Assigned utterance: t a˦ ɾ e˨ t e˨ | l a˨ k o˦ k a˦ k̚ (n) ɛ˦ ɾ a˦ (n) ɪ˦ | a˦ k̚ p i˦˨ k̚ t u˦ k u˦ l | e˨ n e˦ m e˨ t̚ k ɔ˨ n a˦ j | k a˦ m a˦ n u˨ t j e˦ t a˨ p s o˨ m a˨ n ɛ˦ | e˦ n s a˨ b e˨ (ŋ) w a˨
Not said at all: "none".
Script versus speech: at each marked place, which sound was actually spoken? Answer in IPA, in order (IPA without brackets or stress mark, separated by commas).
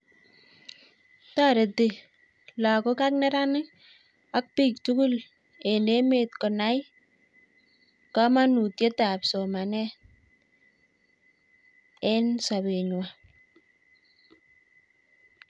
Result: n, n, ɲ